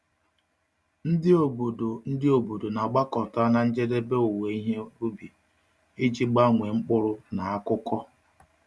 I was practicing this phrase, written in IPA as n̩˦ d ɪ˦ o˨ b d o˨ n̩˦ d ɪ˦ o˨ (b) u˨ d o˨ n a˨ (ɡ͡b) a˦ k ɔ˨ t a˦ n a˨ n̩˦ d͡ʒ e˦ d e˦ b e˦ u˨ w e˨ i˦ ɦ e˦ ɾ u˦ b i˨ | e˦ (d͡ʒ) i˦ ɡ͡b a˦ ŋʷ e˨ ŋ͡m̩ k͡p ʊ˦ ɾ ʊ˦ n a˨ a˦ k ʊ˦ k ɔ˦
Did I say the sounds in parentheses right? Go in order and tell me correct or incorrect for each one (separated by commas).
correct, correct, correct